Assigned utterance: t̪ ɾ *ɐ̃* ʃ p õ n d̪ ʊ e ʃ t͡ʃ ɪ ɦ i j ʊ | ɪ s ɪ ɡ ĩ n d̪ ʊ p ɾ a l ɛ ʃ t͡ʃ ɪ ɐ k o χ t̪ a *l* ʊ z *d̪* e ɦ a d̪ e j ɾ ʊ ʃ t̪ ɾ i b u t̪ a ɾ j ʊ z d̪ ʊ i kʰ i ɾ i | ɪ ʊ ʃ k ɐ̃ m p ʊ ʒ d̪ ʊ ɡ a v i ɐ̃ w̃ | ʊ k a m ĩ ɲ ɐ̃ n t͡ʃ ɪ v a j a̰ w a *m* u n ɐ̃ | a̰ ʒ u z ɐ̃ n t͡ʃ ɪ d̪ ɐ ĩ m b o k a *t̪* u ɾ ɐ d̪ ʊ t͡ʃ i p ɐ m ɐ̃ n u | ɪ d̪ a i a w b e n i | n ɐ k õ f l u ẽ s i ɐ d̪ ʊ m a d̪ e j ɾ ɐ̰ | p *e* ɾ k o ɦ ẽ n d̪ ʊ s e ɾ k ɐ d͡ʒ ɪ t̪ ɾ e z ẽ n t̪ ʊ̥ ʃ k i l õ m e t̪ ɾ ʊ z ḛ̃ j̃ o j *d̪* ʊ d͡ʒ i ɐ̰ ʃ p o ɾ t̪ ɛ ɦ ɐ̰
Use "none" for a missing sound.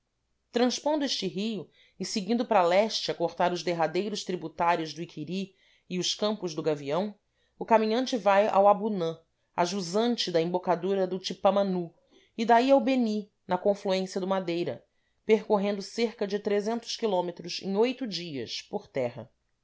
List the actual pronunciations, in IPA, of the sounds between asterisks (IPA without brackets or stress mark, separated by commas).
ɐ̃, ɾ, d̪, b, d̪, e, t̪